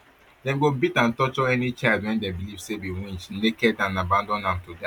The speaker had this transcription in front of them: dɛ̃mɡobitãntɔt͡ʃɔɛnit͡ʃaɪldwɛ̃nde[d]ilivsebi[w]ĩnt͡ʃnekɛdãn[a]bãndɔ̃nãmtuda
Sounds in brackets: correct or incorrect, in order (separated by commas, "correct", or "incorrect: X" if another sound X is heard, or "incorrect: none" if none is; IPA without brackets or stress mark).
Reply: incorrect: b, correct, correct